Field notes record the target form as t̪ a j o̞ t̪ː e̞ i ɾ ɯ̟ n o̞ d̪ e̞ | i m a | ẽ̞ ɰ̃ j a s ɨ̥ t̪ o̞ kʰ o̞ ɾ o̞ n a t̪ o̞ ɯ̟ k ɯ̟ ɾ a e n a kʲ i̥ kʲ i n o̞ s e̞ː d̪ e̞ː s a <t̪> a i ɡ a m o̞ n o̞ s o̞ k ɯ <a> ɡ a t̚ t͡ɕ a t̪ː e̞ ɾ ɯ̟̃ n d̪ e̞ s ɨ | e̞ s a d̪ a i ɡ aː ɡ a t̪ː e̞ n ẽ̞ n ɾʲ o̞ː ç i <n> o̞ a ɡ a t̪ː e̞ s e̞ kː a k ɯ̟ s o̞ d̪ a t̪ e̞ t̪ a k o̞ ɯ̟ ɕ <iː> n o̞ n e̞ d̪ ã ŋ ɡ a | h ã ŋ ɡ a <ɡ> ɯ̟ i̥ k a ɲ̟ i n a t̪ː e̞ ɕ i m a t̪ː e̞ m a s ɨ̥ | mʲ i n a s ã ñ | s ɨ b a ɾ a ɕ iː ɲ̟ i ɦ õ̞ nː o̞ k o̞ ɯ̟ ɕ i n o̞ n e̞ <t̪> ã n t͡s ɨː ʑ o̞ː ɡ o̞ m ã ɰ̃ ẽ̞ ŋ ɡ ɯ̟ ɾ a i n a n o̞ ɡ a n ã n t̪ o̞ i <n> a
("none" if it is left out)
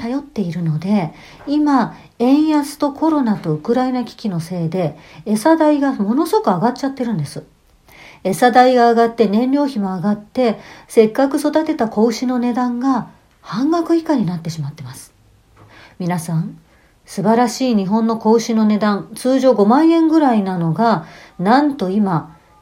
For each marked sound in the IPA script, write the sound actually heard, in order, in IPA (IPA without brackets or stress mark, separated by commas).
d̪, a, m, i, k, d̪, m